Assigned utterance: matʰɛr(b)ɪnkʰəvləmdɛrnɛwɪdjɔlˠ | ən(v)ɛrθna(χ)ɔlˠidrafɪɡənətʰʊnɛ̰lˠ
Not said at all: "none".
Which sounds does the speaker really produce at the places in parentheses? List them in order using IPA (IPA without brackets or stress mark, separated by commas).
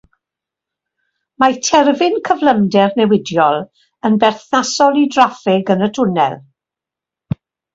v, b, s